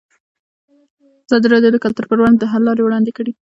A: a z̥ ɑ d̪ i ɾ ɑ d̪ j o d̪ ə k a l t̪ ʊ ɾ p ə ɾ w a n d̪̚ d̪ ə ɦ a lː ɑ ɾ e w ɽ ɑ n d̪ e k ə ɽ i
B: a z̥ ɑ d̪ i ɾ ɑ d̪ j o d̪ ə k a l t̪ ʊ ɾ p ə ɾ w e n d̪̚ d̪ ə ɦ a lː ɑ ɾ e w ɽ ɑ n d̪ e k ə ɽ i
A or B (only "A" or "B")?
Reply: A